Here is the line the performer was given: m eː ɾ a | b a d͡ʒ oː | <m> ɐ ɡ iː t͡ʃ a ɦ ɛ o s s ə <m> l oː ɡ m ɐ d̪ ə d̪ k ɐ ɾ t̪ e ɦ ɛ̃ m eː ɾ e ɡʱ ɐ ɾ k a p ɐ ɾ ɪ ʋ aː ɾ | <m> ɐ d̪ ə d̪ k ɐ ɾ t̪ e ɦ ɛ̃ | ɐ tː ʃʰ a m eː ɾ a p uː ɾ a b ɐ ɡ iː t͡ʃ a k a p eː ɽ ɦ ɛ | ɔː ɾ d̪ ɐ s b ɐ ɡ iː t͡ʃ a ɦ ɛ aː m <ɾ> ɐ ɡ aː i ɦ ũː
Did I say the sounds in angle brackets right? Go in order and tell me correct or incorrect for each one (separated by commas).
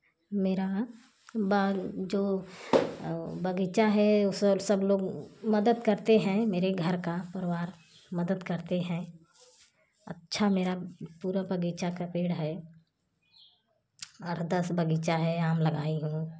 incorrect, incorrect, correct, incorrect